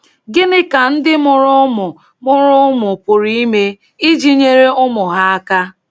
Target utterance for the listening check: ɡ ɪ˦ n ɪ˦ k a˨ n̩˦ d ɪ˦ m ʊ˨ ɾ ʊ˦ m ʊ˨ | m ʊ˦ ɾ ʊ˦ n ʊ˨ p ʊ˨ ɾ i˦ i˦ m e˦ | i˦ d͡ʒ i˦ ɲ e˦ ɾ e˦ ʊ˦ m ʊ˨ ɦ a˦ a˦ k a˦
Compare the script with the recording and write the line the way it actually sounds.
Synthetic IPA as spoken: ɡ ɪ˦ n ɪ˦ k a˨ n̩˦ d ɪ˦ m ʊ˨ ɾ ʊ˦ m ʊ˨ | m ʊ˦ ɾ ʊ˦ m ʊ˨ p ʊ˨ ɾ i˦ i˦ m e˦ | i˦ d͡ʒ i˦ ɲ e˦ ɾ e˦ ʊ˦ m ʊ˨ ɦ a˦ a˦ k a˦